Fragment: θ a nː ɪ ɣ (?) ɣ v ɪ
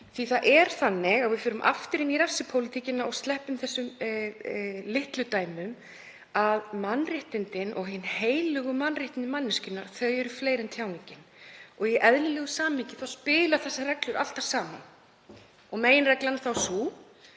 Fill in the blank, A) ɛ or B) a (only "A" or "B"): B